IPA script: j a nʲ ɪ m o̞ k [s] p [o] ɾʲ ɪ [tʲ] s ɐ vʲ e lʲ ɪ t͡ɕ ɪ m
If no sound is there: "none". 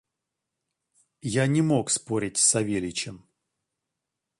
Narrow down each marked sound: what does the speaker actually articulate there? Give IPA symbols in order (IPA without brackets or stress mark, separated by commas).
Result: s, o, tʲ